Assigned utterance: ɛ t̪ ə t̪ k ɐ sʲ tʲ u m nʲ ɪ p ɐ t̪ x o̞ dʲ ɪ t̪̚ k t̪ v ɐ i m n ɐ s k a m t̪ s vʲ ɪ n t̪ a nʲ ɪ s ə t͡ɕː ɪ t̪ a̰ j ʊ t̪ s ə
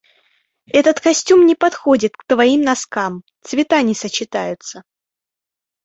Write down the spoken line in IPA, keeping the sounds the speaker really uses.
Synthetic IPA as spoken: ɛ t̪ ə t̪ k ɐ sʲ tʲ u m nʲ ɪ p ɐ t̪ x o̞ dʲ ɪ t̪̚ k t̪ v ɐ i m n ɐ s k a m t̪ s vʲ ɪ t̪ a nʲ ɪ s ə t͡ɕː ɪ t̪ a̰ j ʊ t̪ s ə